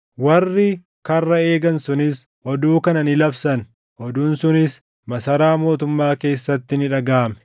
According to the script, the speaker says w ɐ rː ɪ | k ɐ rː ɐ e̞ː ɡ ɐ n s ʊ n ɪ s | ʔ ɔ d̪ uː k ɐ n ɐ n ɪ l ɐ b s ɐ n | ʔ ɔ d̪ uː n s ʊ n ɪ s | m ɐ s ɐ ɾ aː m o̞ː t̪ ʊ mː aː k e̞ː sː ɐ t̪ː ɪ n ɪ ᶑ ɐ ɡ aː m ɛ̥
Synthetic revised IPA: w ɐ rː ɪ | k ɐ rː ɐ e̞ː ɡ ɐ n s ʊ n ɪ s | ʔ ɔ d̪ uː k ɐ n ɐ n ɪ l ɐ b s ɐ n | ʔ ɔ d̪ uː n s ʊ n ɪ s | m ɐ s ɐ ɾ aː m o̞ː t̪ ʊ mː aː k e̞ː sː ɐ t̪ː ɪ n ɪ ᶑ ɐ ɡ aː m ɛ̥